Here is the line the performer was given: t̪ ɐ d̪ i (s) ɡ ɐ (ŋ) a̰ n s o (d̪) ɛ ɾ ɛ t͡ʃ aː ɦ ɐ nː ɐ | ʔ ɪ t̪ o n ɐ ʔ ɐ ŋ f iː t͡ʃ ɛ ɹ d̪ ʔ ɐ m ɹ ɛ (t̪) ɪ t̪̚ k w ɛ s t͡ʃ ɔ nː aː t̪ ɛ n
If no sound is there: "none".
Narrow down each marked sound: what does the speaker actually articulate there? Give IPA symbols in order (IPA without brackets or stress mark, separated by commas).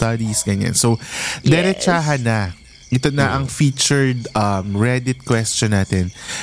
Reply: s, ɲ, d̪, d̪